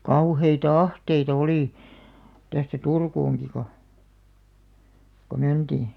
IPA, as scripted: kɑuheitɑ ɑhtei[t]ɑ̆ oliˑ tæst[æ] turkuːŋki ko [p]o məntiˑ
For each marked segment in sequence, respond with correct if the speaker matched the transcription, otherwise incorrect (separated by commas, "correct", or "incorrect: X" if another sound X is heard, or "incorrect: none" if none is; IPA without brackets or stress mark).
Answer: correct, correct, incorrect: k